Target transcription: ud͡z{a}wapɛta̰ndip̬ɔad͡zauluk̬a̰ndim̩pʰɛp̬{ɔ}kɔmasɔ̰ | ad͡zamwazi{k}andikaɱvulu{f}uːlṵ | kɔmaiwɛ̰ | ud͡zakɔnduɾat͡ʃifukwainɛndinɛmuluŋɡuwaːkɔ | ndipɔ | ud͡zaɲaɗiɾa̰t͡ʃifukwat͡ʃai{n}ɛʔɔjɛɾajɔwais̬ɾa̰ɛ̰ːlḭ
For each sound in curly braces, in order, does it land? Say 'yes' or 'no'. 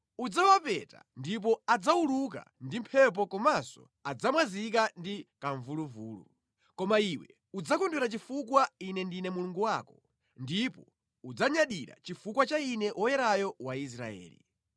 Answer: yes, yes, yes, no, yes

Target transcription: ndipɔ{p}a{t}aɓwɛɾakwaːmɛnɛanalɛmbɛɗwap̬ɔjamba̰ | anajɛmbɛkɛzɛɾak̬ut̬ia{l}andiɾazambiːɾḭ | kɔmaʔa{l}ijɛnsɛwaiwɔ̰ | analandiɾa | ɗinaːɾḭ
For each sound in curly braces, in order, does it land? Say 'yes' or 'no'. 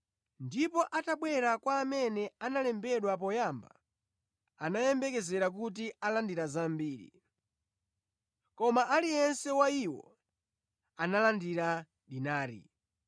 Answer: no, yes, yes, yes

